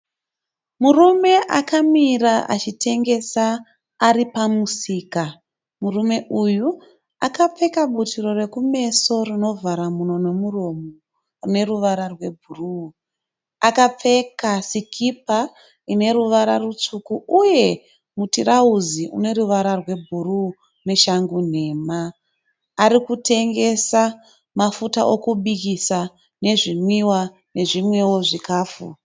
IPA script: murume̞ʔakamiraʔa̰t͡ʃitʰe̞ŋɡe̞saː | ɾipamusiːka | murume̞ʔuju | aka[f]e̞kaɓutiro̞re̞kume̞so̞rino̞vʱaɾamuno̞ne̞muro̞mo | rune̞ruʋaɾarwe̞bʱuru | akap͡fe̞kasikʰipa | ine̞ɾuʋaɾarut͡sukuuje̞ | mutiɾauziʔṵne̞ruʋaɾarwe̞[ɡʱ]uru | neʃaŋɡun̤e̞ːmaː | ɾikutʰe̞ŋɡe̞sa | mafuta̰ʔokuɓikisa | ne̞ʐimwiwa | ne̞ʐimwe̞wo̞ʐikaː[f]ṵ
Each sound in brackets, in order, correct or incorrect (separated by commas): incorrect, incorrect, correct